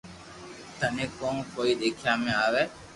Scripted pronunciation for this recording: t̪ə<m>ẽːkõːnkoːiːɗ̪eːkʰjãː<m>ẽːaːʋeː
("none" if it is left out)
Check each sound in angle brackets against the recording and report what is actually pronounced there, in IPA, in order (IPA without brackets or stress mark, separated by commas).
n, m